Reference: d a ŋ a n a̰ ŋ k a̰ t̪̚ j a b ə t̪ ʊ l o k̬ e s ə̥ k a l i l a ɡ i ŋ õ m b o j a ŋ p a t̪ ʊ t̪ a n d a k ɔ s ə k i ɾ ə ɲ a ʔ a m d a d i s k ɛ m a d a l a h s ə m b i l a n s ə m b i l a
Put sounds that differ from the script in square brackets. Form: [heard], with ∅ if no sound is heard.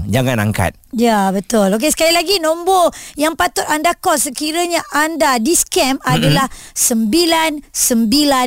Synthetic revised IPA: [d͡ʒ] a ŋ a n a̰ ŋ k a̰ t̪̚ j a b ə t̪ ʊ l o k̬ e s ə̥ k a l i l a ɡ i [n] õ m b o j a ŋ p a t̪ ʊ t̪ a n d a k ɔ s ə k i ɾ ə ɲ a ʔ a [n] d a d i s k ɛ m a d a l a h s ə m b i l a n s ə m b i l a